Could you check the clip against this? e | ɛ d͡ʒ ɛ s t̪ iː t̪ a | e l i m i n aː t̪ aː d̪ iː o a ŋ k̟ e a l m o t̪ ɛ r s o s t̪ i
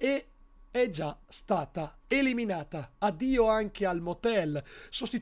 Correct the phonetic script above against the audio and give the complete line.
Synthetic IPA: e | ɛ d͡ʒ a s t̪ aː t̪ a | e l i m i n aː t̪ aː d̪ iː o a ŋ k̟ e a l m o t̪ ɛ l s o s t̪ i